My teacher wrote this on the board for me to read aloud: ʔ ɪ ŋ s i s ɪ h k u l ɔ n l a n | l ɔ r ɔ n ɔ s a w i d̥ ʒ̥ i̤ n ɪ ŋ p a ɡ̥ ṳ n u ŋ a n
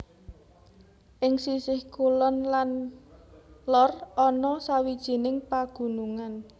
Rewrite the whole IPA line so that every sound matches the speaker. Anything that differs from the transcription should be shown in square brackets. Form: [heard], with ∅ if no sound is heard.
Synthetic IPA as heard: ʔ ɪ ŋ s i s ɪ h k u l ɔ n l a n | l ɔ r ɔ n ɔ s a w i d̥ ʒ̥ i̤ n ɪ ŋ p a ɡ̥ ṳ n u ŋ a n